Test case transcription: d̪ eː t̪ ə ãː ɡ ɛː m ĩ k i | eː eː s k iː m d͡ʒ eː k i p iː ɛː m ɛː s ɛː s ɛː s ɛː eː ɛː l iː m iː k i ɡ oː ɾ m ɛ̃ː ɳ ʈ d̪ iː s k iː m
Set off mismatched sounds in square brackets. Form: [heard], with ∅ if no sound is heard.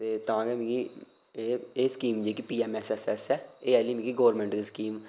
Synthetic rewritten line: [t̪] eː t̪ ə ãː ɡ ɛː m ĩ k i | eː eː s k iː m d͡ʒ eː k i p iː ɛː m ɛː s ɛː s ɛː s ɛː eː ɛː l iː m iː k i ɡ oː ɾ m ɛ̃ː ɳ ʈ d̪ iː s k iː m